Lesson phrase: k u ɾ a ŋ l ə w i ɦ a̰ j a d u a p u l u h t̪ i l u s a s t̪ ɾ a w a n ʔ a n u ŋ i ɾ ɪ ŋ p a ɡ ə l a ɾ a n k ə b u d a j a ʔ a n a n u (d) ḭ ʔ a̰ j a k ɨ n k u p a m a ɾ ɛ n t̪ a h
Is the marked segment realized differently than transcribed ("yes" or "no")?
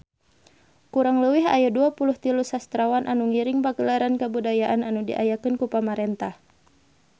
no